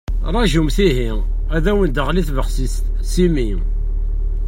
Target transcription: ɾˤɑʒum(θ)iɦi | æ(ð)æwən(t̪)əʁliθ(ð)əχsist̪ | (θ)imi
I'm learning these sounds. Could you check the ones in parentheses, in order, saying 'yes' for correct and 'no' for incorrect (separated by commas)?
yes, yes, no, no, no